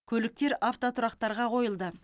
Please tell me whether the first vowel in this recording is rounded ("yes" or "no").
yes